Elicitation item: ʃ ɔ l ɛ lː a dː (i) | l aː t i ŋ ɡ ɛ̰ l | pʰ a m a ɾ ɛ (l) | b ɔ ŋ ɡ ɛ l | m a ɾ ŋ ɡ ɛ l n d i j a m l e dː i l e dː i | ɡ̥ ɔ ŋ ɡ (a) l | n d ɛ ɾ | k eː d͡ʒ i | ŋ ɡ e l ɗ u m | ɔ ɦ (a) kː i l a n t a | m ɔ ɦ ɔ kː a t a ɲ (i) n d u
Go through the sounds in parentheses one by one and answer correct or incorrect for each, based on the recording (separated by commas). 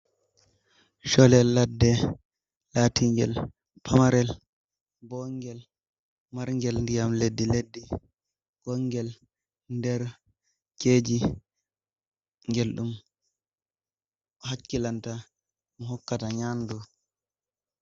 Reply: incorrect, correct, incorrect, correct, incorrect